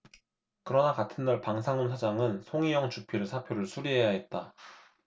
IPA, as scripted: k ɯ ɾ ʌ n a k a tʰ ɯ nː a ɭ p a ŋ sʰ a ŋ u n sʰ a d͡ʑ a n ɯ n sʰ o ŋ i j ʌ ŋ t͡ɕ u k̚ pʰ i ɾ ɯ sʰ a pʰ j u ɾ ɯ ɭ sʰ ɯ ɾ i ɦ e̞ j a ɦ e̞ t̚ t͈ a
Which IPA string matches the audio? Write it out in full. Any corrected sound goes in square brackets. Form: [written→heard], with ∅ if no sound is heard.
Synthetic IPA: k ɯ ɾ ʌ n a k a tʰ ɯ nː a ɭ p a ŋ sʰ a ŋ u n sʰ a d͡ʑ a [n→ŋ] ɯ n sʰ o ŋ i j ʌ ŋ t͡ɕ u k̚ pʰ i ɾ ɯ sʰ a pʰ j [u→o] ɾ ɯ ɭ sʰ [ɯ→u] ɾ i ɦ e̞ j a ɦ e̞ t̚ t͈ a